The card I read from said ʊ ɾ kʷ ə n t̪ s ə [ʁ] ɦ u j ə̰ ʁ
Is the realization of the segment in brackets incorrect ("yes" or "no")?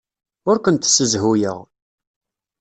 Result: yes